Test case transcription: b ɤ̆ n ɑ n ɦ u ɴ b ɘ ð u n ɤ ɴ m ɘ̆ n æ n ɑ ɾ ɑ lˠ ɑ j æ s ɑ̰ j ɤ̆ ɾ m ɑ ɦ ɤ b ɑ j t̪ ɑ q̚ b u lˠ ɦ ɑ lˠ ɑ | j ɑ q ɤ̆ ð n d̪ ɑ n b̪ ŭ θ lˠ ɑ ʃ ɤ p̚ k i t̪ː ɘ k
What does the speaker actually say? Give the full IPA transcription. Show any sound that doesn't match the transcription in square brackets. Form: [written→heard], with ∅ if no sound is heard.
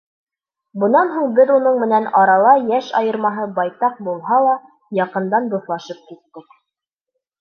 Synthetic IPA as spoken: b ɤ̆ n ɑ n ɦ u ɴ b ɘ ð u n ɤ ɴ m ɘ̆ n æ n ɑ ɾ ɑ lˠ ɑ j æ [s→ʃ] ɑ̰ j ɤ̆ ɾ m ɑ ɦ ɤ b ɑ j t̪ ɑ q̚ b u lˠ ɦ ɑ lˠ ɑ | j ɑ q ɤ̆ [ð→∅] n d̪ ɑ n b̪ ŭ θ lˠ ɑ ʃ ɤ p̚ k i t̪ː ɘ k

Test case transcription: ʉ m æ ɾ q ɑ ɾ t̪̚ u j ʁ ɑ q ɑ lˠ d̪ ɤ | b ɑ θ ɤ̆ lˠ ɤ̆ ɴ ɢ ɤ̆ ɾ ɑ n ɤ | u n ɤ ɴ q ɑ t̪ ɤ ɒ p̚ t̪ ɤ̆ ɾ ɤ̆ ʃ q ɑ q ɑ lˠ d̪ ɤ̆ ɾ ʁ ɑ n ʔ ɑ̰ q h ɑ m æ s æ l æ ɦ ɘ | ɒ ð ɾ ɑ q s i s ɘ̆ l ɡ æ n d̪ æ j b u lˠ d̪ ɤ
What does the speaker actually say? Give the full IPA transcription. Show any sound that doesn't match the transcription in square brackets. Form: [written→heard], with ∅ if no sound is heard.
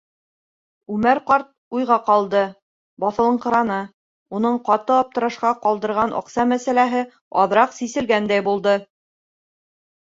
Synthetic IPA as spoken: ʉ m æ ɾ q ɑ ɾ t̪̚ u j ʁ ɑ q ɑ lˠ d̪ ɤ | b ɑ θ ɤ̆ lˠ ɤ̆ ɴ [ɢ→q] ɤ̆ ɾ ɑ n ɤ | u n ɤ ɴ q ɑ t̪ ɤ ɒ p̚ t̪ ɤ̆ ɾ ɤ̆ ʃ q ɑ q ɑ lˠ d̪ ɤ̆ ɾ ʁ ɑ n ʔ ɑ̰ q [h→s] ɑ m æ s æ l æ ɦ ɘ | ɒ ð ɾ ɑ q s i s ɘ̆ l ɡ æ n d̪ æ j b u lˠ d̪ ɤ

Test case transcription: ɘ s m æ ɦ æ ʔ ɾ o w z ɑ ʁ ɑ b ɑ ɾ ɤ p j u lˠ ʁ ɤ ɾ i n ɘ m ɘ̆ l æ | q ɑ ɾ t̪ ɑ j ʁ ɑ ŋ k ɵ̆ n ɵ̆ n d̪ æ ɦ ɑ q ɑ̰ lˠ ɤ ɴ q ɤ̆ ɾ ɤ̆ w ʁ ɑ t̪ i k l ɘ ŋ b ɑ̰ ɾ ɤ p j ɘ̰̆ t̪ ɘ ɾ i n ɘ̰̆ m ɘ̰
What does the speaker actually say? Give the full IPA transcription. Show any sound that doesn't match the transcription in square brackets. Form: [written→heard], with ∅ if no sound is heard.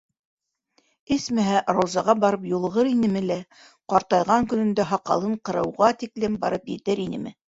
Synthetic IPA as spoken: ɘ s m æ ɦ æ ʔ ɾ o w z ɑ ʁ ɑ b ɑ ɾ ɤ p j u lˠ ʁ ɤ ɾ i n ɘ m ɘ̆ l æ | q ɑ ɾ t̪ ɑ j ʁ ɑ ŋ k ɵ̆ n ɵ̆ n d̪ æ ɦ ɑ q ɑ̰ lˠ ɤ ɴ q ɤ̆ ɾ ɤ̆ w ʁ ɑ t̪ i k l ɘ [ŋ→m] b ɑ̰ ɾ ɤ p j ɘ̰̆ t̪ ɘ ɾ i n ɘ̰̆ m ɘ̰

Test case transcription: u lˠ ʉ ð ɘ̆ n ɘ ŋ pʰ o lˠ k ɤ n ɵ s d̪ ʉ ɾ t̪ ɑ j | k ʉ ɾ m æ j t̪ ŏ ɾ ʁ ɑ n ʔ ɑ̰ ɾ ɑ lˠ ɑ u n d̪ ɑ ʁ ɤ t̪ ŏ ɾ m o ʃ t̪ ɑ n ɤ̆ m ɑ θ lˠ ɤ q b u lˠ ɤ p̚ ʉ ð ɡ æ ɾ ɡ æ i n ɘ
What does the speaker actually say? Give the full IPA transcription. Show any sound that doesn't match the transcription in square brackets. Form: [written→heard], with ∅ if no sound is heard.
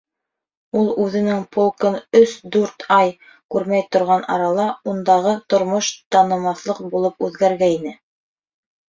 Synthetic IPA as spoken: u lˠ ʉ ð ɘ̆ n ɘ ŋ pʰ o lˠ k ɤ n ɵ s d̪ ʉ ɾ t̪ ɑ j | k ʉ ɾ m æ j t̪ ŏ ɾ ʁ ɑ n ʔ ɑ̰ ɾ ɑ lˠ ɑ u n d̪ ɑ ʁ ɤ t̪ ŏ ɾ m o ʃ t̪ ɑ n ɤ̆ m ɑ θ lˠ ɤ q b u lˠ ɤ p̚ ʉ ð ɡ æ ɾ ɡ æ i n ɘ

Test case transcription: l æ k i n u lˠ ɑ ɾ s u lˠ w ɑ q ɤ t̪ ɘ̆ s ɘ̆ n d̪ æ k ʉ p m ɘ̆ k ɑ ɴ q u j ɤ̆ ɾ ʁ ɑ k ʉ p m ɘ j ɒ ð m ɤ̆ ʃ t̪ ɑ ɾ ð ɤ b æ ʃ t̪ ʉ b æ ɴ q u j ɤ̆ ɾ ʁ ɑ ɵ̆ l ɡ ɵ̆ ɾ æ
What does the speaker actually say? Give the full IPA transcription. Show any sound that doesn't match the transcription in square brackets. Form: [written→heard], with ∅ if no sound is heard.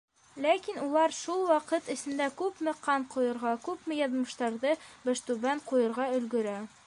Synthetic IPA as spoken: l æ k i n u lˠ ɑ ɾ [s→ʃ] u lˠ w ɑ q ɤ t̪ ɘ̆ s ɘ̆ n d̪ æ k ʉ p m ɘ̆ [k→q] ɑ ɴ q u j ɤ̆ ɾ ʁ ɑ k ʉ p m ɘ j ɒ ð m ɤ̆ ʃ t̪ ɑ ɾ ð ɤ b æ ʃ t̪ ʉ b æ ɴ q u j ɤ̆ ɾ ʁ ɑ ɵ̆ l ɡ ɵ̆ ɾ æ

